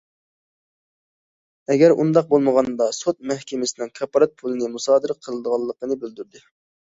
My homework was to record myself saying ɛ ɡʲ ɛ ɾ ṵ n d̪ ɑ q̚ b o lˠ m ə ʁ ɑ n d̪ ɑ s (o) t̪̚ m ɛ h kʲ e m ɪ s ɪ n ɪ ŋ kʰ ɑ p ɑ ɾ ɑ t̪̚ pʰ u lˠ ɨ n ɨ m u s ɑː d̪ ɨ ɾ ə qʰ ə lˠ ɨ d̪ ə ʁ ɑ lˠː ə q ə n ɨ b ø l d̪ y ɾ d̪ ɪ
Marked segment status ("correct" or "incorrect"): correct